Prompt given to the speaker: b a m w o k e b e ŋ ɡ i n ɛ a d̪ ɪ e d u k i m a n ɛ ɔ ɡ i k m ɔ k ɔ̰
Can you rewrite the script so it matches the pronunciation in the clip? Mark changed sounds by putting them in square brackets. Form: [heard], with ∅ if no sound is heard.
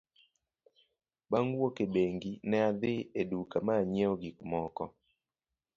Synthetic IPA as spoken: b a [ŋ] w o k e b e ŋ ɡ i n ɛ a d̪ ɪ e d u k [a] m a [ɲ] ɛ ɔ ɡ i k m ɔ k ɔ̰